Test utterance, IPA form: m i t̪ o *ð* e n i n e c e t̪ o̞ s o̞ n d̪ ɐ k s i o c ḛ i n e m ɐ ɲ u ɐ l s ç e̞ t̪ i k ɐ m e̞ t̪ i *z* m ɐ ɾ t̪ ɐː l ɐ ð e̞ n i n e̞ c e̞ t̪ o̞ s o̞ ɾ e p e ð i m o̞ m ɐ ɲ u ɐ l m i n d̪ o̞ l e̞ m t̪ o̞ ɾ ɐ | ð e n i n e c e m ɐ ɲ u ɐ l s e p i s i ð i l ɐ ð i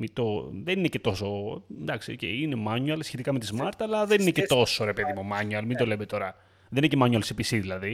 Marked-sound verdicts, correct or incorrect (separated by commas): correct, correct